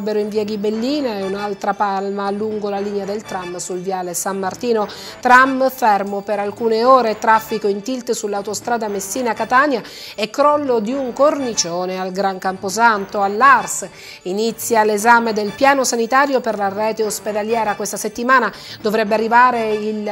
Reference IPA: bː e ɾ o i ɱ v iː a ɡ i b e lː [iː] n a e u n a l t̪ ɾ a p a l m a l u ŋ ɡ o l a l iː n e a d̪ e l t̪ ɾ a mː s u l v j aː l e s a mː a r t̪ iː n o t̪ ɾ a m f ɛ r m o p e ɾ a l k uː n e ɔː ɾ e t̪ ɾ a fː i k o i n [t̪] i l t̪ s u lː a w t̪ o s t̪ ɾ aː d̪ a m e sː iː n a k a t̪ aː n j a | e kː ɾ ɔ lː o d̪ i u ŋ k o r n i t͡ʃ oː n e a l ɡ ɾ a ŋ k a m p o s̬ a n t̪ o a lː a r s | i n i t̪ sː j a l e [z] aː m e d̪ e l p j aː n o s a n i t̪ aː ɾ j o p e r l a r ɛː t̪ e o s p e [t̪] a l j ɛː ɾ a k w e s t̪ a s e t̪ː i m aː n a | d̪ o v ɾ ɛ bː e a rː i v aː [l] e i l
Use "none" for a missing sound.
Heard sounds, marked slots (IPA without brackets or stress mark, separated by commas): iː, t̪, z, d̪, ɾ